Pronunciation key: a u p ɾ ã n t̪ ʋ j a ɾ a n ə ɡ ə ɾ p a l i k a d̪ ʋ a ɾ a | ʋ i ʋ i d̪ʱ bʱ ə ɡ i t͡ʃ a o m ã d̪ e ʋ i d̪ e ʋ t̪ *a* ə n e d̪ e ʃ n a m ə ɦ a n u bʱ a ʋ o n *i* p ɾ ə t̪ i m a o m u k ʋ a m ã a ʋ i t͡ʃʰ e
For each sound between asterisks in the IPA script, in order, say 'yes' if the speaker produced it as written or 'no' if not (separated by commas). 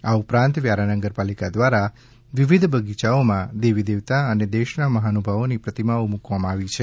yes, yes